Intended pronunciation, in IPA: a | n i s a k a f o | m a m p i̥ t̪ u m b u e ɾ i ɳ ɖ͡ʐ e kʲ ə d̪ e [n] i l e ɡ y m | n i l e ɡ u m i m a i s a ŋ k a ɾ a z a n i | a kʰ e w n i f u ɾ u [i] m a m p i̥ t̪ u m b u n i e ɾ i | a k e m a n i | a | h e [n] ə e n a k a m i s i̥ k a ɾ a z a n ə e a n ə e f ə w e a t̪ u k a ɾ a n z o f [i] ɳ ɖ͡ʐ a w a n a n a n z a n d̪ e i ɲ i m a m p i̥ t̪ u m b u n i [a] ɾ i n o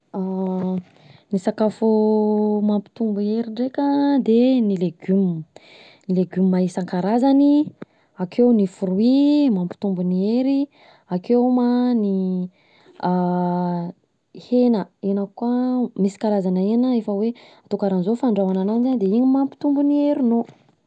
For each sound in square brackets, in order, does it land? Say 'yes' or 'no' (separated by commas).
yes, yes, yes, no, no